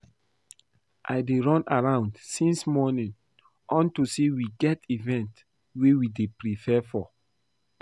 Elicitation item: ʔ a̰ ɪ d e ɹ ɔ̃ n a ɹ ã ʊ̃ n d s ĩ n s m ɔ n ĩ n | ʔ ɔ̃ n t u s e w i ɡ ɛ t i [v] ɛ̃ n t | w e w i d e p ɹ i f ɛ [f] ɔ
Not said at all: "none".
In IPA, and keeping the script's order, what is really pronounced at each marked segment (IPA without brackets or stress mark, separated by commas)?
v, f